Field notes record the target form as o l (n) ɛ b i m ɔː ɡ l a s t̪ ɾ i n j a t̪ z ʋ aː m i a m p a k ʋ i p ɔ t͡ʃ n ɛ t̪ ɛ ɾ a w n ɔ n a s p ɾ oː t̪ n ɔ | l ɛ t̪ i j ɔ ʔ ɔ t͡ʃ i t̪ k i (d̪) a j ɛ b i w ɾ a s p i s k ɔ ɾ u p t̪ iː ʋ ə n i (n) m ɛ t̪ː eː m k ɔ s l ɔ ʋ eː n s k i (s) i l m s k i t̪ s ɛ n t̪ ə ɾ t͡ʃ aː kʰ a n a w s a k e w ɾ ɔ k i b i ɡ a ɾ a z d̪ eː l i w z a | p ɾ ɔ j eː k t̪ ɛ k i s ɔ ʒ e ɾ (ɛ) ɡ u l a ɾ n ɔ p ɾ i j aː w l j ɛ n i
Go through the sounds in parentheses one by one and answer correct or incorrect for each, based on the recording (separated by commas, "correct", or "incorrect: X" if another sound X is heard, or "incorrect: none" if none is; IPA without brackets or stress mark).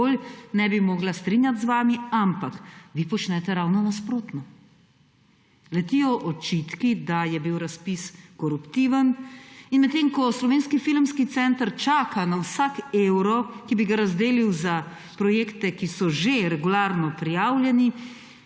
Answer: correct, correct, correct, incorrect: f, correct